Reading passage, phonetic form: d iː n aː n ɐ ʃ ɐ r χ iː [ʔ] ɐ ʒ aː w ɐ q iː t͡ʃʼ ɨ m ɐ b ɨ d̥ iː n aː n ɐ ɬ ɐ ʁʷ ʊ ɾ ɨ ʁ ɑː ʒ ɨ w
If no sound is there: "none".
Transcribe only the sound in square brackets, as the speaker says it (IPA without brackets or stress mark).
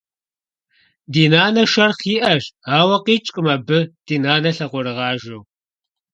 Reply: ʔ